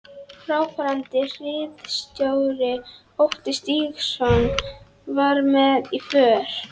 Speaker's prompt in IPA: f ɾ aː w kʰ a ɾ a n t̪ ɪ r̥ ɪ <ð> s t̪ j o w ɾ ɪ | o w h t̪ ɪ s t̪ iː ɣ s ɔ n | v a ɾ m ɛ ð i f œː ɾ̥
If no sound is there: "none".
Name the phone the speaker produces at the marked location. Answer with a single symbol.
ð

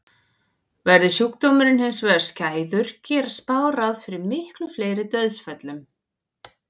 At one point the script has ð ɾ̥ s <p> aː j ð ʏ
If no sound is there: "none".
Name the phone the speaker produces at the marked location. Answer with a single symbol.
c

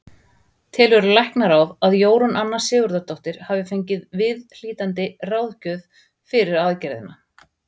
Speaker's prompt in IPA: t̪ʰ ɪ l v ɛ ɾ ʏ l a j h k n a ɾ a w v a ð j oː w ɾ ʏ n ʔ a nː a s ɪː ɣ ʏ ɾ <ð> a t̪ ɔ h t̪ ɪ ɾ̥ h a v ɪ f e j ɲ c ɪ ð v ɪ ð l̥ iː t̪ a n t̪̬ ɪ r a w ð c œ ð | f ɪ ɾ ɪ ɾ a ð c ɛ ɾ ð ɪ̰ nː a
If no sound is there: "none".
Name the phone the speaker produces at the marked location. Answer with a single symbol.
ð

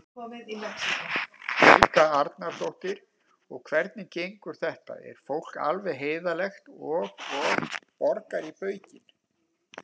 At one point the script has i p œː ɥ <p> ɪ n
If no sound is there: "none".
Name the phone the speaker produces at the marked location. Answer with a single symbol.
c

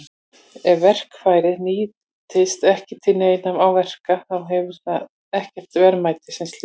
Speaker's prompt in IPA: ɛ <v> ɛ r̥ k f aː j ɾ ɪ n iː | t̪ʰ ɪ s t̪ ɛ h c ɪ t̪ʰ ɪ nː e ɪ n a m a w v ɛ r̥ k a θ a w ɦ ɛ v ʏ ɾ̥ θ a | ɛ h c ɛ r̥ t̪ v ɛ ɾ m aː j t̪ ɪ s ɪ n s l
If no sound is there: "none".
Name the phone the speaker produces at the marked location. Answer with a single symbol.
v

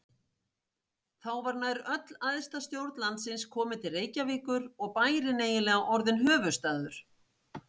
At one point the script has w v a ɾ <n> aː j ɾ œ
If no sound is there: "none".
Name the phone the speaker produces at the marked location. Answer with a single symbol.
n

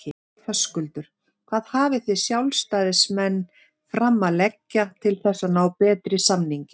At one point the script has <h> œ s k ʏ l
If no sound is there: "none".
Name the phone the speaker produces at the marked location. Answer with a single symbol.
f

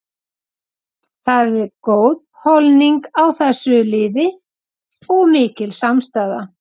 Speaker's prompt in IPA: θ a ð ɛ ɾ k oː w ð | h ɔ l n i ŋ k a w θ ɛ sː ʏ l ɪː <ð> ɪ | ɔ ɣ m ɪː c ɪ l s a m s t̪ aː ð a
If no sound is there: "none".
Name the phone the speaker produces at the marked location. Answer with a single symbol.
ð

